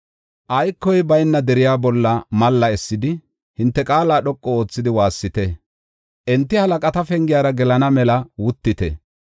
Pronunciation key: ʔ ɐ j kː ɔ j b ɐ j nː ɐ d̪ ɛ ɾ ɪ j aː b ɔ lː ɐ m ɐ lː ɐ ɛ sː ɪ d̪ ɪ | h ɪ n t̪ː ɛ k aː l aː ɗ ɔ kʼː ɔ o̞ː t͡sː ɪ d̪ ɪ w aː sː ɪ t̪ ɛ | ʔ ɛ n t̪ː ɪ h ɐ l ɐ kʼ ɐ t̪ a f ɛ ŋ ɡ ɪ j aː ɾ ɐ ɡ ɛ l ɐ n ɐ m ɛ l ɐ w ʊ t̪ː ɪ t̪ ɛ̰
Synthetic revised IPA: ʔ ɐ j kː ɔ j b ɐ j nː ɐ d̪ ɛ ɾ ɪ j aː b ɔ lː ɐ m ɐ lː ɐ ɛ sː ɪ d̪ ɪ | h ɪ n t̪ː ɛ kʼ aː l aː ɗ ɔ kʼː ɔ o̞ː t͡sː ɪ d̪ ɪ w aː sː ɪ t̪ ɛ | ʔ ɛ n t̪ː ɪ h ɐ l ɐ kʼ ɐ t̪ ɐ f ɛ ŋ ɡ ɪ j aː ɾ ɐ ɡ ɛ l ɐ n ɐ m ɛ l ɐ w ʊ t̪ː ɪ t̪ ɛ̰